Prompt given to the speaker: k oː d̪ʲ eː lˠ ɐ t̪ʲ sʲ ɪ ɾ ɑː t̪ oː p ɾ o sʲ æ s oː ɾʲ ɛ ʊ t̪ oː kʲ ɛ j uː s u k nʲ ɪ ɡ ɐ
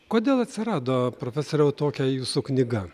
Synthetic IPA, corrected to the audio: k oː d̪ʲ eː lˠ ɐ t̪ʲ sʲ ɪ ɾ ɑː d̪ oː p ɾ o fʲ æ s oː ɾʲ ɛ ʊ t̪ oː kʲ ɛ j uː s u k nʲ ɪ ɡ ɐ